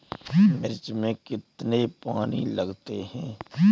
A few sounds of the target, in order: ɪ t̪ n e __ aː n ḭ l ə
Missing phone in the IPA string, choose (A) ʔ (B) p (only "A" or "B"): B